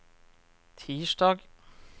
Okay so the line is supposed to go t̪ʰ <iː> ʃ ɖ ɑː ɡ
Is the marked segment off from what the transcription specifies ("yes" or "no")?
no